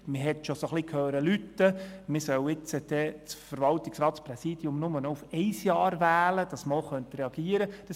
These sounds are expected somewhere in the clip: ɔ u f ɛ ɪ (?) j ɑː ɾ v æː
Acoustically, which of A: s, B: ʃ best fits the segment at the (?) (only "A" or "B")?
A